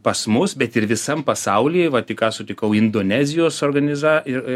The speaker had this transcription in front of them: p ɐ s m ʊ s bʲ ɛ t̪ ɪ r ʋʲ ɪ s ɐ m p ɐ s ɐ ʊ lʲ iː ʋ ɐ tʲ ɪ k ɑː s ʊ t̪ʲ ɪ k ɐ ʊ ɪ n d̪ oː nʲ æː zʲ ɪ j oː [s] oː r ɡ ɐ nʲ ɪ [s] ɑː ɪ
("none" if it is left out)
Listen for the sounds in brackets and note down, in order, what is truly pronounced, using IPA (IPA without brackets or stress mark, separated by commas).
s, z